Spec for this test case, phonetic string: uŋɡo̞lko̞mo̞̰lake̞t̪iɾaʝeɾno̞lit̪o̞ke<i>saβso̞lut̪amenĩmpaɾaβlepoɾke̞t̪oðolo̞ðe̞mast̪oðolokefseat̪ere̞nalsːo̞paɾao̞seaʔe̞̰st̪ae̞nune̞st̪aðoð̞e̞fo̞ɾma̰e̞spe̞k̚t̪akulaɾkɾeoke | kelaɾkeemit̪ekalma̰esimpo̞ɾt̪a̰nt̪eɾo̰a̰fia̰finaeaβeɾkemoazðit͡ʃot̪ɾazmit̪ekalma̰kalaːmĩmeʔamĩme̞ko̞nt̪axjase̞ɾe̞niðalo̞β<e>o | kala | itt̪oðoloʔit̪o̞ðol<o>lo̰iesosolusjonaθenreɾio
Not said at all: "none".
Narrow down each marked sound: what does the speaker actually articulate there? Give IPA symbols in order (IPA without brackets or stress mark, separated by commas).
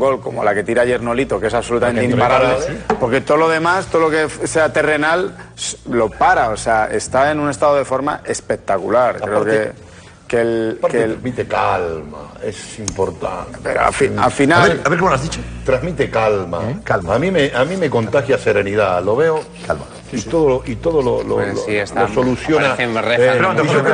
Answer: e, e, o